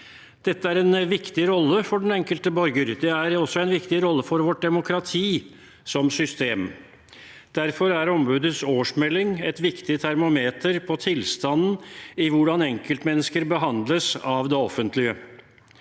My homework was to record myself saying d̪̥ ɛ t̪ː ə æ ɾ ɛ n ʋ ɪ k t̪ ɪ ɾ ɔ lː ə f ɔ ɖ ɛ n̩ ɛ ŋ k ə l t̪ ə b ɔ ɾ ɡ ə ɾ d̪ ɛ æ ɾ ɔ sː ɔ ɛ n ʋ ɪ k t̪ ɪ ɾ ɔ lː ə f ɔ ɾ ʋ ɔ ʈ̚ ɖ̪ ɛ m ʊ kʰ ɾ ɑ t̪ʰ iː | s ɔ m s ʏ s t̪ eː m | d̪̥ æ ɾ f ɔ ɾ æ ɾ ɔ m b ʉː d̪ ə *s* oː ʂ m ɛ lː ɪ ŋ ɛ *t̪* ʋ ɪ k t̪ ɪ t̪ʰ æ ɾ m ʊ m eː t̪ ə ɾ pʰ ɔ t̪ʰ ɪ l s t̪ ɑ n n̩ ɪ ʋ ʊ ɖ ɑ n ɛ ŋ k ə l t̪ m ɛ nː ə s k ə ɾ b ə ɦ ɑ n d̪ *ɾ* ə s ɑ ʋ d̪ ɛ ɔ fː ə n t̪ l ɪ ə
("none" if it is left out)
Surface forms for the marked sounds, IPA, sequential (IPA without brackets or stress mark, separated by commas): s, t̪, l